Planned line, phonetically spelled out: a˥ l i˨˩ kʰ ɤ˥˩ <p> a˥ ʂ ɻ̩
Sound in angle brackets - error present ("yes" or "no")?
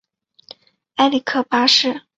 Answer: no